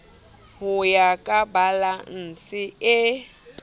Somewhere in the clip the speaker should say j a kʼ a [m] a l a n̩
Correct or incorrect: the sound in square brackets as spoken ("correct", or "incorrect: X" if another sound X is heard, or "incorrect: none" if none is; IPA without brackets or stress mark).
incorrect: b